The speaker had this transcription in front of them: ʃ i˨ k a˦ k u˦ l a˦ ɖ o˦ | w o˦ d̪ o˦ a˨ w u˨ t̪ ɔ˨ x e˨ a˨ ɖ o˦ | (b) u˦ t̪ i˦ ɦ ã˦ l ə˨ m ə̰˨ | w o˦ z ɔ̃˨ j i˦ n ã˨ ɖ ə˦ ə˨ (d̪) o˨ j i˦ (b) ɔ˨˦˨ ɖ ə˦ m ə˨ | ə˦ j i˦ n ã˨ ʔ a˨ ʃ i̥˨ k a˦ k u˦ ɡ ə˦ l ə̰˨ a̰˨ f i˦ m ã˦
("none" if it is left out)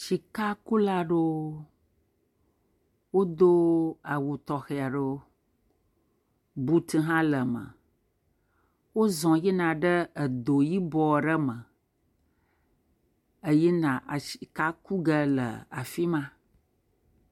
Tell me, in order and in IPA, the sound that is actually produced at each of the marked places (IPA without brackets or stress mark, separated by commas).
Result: b, d̪, b